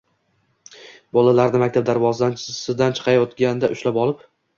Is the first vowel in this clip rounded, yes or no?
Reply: yes